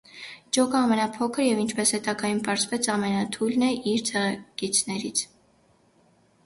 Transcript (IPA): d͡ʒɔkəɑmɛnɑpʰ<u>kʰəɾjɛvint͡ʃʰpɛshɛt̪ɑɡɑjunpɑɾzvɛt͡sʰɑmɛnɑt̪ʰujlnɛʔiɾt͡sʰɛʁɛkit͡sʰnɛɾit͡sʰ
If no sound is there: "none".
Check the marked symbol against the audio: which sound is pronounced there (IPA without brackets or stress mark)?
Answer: ɔ